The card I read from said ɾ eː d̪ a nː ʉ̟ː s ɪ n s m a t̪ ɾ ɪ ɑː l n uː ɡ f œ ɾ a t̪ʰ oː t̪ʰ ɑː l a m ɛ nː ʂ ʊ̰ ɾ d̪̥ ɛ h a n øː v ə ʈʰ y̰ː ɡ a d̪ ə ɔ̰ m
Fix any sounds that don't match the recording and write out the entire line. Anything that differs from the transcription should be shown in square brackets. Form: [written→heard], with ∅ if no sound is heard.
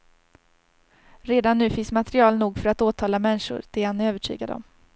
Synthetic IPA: ɾ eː d̪ a nː ʉ̟ː [s→f] ɪ n s m a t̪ ɾ ɪ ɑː l n uː ɡ f œ ɾ a [t̪ʰ→t̪] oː t̪ʰ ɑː l a m ɛ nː ʂ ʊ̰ ɾ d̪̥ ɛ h a n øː v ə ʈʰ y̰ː ɡ a d̪ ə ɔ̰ m